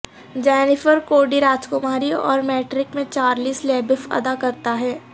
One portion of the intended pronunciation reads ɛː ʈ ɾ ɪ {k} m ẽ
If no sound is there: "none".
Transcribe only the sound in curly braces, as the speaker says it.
k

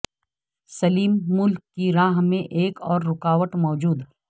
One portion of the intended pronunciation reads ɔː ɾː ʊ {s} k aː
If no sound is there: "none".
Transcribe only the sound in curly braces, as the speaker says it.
none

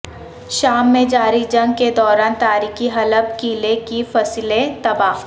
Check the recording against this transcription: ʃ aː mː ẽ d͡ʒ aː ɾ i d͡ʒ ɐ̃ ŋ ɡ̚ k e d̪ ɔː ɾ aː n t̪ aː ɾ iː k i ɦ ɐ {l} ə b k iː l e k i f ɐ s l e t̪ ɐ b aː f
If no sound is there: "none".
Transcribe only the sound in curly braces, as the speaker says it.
l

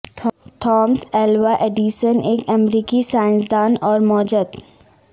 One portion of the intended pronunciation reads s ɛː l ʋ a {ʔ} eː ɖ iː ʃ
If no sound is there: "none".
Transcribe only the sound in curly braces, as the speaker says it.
ʔ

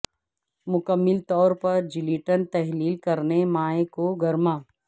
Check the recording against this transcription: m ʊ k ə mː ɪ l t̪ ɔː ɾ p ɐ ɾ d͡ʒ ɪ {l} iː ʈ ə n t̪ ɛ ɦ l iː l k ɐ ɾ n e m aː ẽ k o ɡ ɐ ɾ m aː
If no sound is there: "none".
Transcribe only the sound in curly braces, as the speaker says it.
l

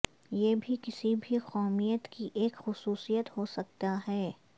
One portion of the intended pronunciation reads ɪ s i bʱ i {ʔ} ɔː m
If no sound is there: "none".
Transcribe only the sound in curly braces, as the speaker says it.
q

